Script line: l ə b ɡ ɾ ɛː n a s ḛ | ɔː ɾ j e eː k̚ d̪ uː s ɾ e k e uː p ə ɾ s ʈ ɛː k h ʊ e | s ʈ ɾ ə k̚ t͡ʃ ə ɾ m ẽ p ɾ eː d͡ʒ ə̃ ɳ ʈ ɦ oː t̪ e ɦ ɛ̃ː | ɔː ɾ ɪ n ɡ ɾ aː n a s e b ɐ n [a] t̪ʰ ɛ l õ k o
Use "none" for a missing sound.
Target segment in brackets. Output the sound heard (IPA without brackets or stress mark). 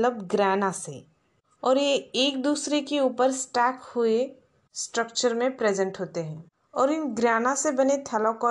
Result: e